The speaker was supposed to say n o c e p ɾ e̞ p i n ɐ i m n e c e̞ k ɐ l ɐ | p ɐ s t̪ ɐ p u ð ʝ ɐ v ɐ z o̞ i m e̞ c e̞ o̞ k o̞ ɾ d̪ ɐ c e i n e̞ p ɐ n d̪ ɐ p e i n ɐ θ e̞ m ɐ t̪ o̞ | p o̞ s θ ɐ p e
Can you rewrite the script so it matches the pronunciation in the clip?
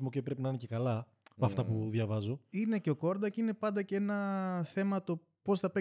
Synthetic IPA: m o c e p ɾ e̞ p i n ɐ i n e c e̞ k ɐ l ɐ | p ɐ f t̪ ɐ p u ð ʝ ɐ v ɐ z o̞ i n e̞ c e̞ o̞ k o̞ ɾ d̪ ɐ c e i n e̞ p ɐ n d̪ ɐ c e e n ɐ θ e̞ m ɐ t̪ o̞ | p o̞ s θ ɐ p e